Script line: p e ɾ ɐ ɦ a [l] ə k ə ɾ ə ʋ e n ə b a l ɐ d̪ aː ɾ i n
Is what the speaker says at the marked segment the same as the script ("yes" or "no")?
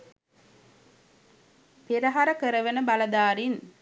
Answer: no